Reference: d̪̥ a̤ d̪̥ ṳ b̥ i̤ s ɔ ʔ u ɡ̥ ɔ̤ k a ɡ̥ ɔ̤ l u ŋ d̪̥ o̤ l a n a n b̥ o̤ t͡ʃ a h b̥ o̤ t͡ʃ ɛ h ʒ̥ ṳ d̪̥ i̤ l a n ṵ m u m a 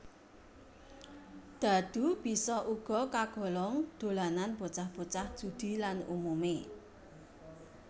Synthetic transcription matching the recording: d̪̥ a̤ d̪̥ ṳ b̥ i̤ s ɔ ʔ u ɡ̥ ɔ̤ k a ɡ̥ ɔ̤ l ɔ ŋ d̪̥ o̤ l a n a n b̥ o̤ t͡ʃ a h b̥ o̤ t͡ʃ a h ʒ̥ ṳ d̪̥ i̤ l a n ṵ m u m e